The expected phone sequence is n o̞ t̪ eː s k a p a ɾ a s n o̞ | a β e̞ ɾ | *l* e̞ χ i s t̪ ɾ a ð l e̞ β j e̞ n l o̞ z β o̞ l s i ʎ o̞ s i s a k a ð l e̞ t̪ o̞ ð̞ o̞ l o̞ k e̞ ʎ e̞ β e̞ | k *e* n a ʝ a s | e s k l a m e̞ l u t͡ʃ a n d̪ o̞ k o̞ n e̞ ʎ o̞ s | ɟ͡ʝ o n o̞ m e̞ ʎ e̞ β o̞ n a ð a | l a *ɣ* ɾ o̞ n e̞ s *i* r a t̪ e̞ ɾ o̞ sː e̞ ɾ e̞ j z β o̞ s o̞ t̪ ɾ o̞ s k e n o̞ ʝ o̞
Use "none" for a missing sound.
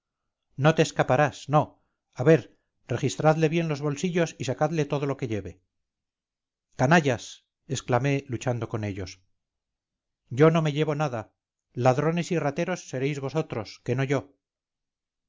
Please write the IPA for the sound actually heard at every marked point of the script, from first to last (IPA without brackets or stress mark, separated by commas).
r, a, ð, i